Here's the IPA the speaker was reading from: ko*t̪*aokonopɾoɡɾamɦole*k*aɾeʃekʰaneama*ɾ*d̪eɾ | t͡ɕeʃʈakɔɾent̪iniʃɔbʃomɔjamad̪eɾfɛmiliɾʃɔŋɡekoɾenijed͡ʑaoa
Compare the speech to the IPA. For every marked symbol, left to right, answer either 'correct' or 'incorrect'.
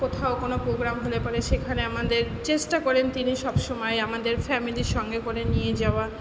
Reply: incorrect: t̪ʰ, incorrect: p, incorrect: none

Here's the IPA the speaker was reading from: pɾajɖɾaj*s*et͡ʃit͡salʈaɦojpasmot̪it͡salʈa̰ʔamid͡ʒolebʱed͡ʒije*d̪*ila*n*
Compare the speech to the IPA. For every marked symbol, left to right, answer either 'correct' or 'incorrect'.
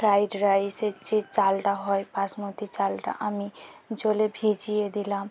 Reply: correct, correct, incorrect: m

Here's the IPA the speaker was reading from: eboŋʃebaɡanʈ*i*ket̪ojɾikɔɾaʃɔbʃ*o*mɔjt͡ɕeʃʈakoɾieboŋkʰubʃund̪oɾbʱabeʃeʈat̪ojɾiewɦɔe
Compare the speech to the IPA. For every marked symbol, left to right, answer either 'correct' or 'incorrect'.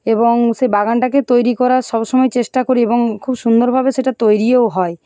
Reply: incorrect: a, incorrect: ɔ

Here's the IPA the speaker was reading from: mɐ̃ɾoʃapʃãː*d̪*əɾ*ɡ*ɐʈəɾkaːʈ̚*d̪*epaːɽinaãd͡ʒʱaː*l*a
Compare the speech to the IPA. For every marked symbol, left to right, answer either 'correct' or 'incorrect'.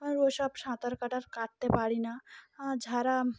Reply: incorrect: t̪, incorrect: k, incorrect: t̪, incorrect: ɾ

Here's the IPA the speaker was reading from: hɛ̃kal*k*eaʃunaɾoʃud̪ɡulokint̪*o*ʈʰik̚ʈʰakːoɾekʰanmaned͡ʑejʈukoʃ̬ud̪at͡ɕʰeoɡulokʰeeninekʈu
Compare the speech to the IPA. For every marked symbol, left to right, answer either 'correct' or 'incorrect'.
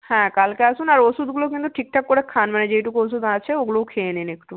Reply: correct, incorrect: u

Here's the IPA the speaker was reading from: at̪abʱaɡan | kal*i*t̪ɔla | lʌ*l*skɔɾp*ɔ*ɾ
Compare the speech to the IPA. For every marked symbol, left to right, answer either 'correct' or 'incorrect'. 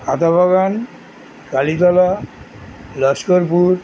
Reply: correct, incorrect: none, incorrect: u

